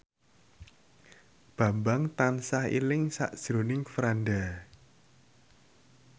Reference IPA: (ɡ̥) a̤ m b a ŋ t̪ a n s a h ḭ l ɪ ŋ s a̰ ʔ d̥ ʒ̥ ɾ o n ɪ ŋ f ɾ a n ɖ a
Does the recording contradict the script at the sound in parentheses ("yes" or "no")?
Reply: yes